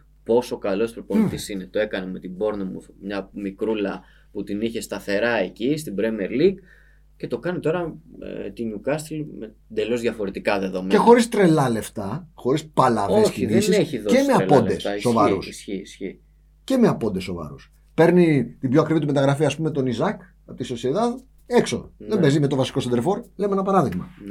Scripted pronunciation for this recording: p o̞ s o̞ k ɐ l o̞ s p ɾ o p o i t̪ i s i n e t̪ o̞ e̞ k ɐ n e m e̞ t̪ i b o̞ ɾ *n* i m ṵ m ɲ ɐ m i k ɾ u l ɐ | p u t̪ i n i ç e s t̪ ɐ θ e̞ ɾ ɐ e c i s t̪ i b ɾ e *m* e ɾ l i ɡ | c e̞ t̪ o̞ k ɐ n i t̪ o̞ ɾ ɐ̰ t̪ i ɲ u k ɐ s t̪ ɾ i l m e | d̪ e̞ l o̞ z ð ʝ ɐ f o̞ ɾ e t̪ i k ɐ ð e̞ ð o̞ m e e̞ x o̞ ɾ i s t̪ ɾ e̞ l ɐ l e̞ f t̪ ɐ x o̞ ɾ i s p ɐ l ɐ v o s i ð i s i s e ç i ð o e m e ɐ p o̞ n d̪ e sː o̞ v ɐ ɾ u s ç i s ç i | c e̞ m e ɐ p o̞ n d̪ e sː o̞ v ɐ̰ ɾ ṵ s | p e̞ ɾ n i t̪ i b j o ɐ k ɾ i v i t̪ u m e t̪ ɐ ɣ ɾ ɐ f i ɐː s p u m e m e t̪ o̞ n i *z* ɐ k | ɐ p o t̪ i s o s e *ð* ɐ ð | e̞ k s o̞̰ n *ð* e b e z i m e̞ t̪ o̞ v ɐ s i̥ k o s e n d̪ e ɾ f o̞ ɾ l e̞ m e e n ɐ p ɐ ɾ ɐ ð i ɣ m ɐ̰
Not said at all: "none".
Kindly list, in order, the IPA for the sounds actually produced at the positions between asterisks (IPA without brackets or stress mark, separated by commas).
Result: n, m, z, ð, ð